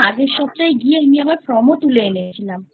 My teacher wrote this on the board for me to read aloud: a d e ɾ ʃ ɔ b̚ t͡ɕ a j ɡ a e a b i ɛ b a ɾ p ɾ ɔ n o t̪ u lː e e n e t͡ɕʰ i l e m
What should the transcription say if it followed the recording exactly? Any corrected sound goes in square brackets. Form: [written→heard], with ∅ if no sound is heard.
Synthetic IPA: a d e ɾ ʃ ɔ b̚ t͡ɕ a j ɡ [a→i] e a [b→m] i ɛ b a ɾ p ɾ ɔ [n→m] o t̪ u [lː→l] e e n e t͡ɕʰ i l [e→a] m